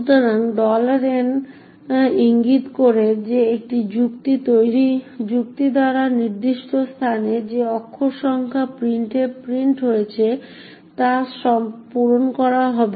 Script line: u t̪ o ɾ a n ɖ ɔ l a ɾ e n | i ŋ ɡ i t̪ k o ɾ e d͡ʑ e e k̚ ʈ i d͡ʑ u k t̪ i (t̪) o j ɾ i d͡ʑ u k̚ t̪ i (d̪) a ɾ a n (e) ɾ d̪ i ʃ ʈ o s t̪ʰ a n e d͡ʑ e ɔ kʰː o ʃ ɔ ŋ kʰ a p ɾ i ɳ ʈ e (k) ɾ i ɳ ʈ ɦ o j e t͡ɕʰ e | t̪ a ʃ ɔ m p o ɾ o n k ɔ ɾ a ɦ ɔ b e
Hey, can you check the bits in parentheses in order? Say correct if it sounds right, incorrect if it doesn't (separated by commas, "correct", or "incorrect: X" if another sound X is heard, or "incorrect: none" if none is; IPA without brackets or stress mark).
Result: correct, correct, incorrect: i, incorrect: p